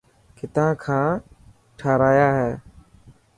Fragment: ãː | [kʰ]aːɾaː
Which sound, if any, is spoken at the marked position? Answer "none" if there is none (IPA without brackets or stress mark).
ʈʰ